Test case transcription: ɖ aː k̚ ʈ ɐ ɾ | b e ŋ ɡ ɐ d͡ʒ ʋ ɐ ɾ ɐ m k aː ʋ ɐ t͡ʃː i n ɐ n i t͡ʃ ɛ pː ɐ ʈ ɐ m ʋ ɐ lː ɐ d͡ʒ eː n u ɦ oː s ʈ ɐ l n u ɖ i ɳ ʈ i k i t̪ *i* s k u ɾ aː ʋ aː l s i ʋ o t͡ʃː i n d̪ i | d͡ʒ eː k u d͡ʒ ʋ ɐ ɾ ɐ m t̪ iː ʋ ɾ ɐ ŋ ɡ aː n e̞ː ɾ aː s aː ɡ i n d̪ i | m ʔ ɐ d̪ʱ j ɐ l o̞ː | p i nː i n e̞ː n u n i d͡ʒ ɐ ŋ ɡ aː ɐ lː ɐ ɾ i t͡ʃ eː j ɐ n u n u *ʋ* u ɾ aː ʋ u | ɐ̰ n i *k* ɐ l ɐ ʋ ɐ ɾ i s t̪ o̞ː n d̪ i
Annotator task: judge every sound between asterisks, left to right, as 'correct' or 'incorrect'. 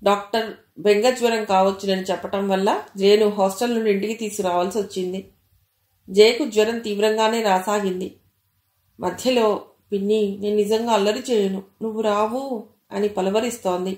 incorrect, incorrect, incorrect

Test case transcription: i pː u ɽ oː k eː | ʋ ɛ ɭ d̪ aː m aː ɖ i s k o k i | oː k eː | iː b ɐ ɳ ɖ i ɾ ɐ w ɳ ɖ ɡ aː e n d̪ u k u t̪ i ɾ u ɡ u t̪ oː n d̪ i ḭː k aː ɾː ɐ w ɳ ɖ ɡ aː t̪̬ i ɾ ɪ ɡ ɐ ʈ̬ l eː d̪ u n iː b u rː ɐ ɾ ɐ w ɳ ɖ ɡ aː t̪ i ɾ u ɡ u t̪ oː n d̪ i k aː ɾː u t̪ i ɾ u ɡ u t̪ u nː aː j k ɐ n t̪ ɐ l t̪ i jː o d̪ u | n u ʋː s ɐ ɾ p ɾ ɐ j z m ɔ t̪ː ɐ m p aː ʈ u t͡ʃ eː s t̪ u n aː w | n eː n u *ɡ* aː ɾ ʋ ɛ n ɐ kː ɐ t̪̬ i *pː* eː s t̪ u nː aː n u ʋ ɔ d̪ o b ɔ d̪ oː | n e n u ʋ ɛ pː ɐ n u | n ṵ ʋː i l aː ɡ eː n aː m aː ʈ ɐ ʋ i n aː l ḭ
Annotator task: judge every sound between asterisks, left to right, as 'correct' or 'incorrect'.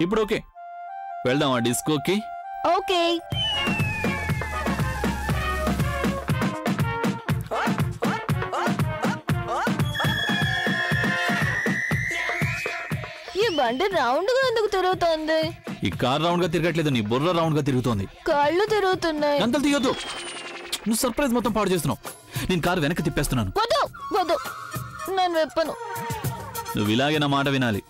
incorrect, correct

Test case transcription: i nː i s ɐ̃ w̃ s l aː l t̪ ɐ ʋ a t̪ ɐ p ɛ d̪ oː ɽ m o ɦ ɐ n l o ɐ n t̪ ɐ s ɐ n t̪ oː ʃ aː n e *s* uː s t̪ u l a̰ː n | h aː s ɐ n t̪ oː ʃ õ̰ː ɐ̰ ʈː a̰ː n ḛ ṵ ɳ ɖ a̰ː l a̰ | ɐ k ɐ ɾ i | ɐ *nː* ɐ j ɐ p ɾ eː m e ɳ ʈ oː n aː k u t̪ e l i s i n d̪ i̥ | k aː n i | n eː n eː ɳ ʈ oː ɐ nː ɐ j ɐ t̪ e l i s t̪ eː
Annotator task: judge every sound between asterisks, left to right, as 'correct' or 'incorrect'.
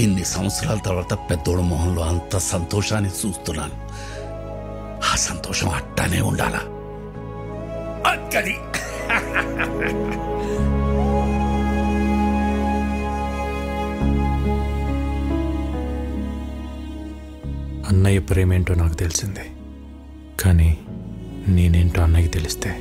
correct, correct

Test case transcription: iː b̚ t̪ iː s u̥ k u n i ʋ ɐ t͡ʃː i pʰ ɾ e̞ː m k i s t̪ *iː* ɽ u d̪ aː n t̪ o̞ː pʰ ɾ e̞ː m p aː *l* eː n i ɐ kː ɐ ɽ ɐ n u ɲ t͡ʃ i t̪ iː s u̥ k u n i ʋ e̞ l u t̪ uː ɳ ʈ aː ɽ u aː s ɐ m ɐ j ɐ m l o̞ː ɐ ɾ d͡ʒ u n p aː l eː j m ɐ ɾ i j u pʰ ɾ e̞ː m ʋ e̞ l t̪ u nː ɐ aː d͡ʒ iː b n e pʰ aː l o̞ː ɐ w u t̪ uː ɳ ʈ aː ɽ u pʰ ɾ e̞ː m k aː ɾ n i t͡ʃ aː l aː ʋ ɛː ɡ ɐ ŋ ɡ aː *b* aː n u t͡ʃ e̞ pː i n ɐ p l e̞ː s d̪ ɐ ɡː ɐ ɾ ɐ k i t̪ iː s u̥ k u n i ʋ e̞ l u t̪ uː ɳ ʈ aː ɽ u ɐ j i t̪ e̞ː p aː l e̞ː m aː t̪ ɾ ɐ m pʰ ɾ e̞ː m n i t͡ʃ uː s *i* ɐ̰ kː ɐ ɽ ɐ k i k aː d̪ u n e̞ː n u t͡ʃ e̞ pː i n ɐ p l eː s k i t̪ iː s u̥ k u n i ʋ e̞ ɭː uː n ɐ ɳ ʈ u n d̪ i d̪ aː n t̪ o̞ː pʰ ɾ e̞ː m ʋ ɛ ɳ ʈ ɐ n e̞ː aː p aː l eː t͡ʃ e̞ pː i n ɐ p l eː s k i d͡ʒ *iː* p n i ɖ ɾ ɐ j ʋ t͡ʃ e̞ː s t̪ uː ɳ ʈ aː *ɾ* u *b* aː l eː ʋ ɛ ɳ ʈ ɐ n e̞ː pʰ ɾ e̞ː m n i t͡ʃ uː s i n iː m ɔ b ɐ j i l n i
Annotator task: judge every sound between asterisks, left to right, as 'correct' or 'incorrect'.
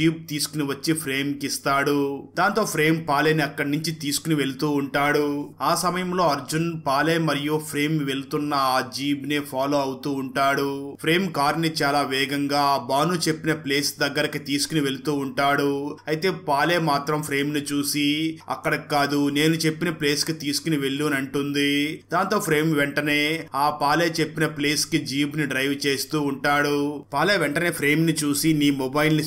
incorrect, correct, correct, correct, correct, incorrect, incorrect

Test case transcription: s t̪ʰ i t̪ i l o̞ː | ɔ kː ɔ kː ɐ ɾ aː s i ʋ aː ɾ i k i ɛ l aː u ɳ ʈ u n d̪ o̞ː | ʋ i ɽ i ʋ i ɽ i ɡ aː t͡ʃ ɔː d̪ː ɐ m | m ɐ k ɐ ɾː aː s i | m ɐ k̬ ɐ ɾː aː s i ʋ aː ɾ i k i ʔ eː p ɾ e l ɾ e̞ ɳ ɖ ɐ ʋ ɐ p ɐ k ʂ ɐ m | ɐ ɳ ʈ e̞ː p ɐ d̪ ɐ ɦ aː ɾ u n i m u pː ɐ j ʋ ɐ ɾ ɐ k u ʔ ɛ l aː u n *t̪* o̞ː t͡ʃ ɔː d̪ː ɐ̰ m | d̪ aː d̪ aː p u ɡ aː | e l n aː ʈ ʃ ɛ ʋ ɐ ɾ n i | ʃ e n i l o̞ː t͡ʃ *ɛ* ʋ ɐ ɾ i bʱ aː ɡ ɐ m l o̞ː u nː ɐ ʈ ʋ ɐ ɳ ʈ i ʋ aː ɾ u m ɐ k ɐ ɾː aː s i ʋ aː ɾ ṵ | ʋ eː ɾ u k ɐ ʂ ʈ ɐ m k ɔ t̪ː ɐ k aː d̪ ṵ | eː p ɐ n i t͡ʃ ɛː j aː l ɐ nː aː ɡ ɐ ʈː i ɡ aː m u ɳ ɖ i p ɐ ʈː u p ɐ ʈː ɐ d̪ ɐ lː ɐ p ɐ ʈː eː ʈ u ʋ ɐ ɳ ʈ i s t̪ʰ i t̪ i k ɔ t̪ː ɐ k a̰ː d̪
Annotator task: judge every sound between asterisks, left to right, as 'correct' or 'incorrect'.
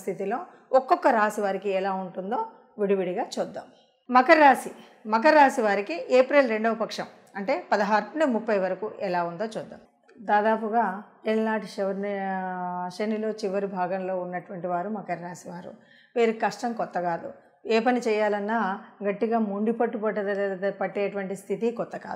incorrect, incorrect

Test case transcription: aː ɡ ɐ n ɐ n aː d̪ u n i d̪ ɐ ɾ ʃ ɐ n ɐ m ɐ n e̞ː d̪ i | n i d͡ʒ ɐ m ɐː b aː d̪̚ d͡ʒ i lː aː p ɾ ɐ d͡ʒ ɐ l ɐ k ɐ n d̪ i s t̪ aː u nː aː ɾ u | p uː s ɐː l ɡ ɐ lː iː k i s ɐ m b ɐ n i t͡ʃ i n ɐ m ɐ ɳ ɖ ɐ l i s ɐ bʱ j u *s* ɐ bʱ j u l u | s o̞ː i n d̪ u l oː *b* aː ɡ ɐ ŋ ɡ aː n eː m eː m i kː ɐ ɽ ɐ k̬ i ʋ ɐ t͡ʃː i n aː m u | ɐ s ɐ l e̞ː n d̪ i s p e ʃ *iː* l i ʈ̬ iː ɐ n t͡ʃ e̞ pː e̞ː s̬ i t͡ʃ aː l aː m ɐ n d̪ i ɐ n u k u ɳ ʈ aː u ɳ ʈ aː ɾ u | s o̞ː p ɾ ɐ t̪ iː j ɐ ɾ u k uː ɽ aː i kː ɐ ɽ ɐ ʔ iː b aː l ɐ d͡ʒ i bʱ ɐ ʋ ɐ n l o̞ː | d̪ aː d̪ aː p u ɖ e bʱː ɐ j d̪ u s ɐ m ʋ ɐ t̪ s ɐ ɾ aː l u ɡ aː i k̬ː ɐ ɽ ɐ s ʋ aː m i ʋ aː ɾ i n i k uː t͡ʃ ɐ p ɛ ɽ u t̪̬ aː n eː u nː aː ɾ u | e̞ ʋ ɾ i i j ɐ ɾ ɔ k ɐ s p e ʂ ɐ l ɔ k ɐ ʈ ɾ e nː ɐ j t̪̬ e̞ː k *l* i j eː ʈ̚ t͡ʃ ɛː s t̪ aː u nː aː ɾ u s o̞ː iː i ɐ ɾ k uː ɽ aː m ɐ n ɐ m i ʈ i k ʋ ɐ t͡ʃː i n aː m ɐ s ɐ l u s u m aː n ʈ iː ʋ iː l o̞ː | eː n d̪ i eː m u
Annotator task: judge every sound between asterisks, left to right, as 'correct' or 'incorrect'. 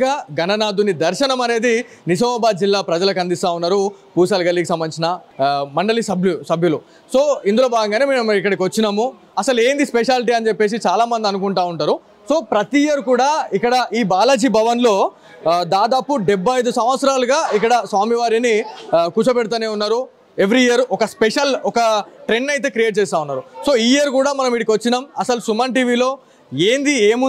correct, correct, incorrect, incorrect

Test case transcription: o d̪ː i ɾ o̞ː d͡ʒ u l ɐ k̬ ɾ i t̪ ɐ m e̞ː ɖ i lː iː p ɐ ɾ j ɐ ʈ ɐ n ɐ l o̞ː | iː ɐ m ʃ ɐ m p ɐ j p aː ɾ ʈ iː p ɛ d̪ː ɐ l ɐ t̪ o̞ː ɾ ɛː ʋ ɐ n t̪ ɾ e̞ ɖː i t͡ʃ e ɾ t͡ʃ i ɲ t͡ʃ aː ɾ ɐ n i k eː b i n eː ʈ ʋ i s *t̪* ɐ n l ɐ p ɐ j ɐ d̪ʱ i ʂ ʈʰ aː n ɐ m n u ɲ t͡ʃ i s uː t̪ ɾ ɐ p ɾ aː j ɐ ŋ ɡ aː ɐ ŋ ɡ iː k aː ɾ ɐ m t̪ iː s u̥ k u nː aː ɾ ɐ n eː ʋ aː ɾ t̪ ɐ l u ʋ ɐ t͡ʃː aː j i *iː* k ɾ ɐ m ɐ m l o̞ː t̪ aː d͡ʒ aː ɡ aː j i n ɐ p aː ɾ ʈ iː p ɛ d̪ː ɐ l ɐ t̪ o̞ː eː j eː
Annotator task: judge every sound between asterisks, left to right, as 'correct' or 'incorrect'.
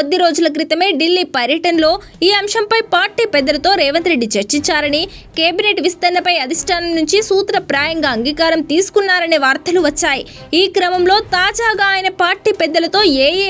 correct, correct

